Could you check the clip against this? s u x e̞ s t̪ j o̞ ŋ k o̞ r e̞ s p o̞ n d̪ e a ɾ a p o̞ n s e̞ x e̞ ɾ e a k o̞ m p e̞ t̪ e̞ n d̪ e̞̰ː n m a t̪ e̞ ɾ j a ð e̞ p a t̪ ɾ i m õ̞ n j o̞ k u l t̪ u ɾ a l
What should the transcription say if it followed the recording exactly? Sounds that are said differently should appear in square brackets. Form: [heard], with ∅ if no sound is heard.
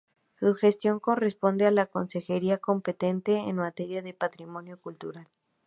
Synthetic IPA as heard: s u x e̞ s t̪ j o̞ ŋ k o̞ r e̞ s p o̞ n d̪ e a [l] a [k] o̞ n s e̞ x e̞ ɾ [i] a k o̞ m p e̞ t̪ e̞ n [t̪] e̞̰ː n m a t̪ e̞ ɾ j a ð e̞ p a t̪ ɾ i m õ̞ n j o̞ k u l t̪ u ɾ a l